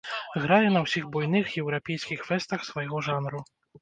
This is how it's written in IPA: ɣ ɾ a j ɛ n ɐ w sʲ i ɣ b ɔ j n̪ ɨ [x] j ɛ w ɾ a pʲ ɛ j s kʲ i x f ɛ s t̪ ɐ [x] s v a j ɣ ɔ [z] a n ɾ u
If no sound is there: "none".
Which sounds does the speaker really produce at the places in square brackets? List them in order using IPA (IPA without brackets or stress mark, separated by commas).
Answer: x, x, ʐ